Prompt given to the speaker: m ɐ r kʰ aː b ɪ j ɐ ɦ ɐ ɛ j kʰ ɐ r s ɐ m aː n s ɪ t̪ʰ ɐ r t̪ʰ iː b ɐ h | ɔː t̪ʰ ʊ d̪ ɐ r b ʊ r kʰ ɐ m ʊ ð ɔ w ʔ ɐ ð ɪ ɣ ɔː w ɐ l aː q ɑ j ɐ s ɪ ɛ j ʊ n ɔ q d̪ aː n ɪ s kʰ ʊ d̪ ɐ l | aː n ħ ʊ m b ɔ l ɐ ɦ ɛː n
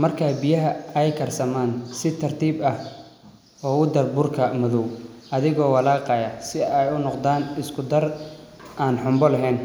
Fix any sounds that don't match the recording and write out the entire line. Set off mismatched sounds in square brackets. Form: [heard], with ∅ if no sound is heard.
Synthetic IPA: m ɐ r kʰ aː b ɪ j ɐ ɦ ɐ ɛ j kʰ ɐ r s ɐ m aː n s ɪ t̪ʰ ɐ r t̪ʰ iː b ɐ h | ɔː [∅] ʊ d̪ ɐ r b ʊ r kʰ ɐ m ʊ ð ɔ w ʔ ɐ ð ɪ ɣ ɔː w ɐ l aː q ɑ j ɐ s ɪ ɛ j ʊ n ɔ q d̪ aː n ɪ s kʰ ʊ d̪ ɐ [r] | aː n ħ ʊ m b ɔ l ɐ ɦ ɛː n